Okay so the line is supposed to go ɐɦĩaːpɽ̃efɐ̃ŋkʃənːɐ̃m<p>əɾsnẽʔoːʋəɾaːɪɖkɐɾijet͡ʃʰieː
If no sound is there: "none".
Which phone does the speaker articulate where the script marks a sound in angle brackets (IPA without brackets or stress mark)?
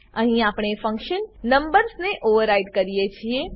b